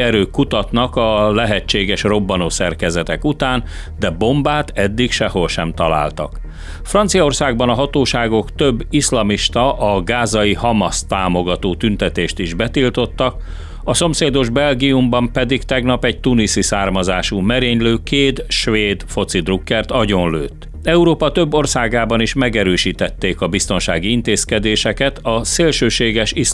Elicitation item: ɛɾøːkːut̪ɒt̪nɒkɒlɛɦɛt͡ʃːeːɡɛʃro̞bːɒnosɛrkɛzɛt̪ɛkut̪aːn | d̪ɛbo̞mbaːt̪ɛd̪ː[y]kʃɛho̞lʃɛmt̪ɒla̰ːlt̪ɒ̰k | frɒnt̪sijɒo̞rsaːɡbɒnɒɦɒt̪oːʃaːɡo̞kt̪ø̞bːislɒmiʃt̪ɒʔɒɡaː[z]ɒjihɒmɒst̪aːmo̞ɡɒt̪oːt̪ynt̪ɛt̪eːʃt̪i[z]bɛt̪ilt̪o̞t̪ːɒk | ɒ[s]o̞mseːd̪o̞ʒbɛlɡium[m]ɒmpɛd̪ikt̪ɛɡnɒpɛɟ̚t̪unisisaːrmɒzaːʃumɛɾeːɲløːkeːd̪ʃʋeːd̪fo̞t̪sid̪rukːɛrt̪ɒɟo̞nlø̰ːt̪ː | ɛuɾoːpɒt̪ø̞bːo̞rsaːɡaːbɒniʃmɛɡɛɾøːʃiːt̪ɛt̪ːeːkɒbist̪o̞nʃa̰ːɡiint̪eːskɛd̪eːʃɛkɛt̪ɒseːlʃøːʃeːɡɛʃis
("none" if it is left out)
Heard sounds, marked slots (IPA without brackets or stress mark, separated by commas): i, z, ʒ, s, b